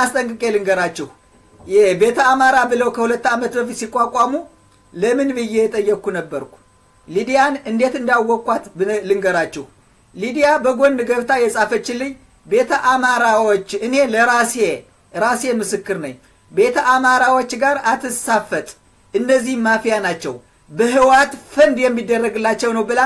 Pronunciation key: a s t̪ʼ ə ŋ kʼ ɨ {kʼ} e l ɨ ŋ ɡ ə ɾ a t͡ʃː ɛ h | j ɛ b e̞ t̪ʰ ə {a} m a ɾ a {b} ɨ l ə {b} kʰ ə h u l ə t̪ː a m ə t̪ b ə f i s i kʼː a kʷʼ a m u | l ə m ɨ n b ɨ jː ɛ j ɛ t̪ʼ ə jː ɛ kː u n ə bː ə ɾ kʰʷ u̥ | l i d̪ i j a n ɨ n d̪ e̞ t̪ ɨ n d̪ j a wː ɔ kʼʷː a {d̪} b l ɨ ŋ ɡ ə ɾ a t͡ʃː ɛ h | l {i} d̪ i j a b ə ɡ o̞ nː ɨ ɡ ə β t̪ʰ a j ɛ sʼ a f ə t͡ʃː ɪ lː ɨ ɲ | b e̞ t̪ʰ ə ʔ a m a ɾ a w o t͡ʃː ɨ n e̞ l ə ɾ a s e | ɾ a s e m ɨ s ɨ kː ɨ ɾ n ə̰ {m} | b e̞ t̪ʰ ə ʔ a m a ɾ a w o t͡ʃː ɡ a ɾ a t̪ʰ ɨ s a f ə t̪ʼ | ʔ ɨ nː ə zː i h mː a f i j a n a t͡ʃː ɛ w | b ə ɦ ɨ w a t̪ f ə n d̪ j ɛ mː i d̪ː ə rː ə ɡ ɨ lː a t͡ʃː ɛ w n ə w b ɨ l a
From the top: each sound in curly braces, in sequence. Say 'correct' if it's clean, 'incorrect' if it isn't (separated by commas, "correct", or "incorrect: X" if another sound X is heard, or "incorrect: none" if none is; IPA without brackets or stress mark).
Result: correct, correct, correct, incorrect: w, incorrect: t̪, correct, incorrect: ɲ